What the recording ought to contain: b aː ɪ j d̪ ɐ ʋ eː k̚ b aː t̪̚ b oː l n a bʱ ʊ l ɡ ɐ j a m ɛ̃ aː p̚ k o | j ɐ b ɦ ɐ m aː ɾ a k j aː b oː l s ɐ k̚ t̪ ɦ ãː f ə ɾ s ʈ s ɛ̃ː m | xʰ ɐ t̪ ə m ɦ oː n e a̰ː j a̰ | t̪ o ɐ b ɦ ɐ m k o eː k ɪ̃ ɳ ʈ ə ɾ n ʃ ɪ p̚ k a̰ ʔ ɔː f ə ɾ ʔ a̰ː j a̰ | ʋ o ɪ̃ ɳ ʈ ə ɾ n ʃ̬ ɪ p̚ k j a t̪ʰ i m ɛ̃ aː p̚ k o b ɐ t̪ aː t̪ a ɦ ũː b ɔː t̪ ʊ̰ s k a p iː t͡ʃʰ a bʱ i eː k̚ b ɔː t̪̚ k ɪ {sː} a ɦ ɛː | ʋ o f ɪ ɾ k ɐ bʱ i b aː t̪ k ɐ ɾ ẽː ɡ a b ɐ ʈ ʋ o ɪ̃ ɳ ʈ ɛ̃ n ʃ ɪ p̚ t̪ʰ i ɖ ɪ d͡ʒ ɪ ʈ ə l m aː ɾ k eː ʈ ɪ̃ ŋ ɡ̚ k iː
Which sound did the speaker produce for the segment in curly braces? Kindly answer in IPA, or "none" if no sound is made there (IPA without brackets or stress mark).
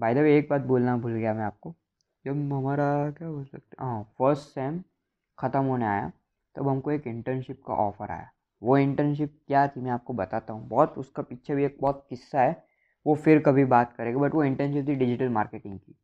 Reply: sː